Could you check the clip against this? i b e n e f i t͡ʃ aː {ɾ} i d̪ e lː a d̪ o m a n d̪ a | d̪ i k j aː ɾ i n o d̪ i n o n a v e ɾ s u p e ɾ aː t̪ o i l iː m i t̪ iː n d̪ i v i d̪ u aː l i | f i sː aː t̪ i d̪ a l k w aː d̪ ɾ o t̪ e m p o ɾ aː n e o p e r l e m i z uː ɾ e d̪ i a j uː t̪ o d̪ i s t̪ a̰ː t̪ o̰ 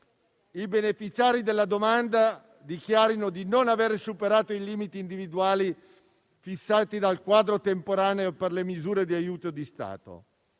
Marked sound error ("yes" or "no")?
no